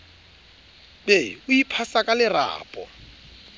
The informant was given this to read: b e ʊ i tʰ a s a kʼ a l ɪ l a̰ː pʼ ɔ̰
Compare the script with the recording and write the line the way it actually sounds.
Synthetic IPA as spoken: b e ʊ i pʰ a s a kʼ a l ɪ r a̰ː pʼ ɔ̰